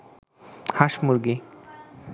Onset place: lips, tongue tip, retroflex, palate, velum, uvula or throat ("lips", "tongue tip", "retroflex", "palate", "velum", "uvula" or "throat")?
throat